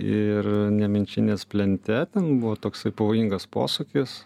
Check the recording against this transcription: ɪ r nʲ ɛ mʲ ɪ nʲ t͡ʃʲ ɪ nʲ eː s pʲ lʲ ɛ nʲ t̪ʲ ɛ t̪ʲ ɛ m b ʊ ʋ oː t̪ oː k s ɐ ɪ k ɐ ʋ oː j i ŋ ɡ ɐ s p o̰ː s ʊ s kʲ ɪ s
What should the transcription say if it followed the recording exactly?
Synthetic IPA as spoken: ɪ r nʲ ɛ mʲ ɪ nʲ t͡ʃʲ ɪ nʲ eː s pʲ lʲ ɛ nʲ t̪ʲ ɛ t̪ʲ ɛ n b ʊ ʋ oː t̪ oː k s ɐ ɪ p ɐ ʋ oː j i ŋ ɡ ɐ s p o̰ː s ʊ kʲ ɪ s